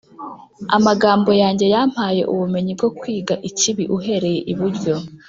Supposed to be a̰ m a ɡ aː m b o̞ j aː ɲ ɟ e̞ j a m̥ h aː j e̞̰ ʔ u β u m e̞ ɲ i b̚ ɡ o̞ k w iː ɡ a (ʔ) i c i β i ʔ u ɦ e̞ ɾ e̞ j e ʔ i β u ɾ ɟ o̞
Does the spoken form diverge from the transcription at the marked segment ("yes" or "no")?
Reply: no